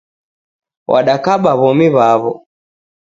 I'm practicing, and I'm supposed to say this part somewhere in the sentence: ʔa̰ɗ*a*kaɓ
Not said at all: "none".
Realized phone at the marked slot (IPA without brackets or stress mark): a